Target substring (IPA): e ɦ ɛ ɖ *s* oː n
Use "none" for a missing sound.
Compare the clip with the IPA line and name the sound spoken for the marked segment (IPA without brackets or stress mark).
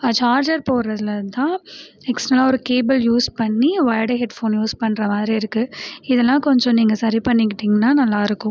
f